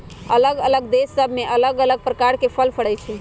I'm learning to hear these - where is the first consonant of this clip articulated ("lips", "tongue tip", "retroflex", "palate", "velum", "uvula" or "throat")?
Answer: tongue tip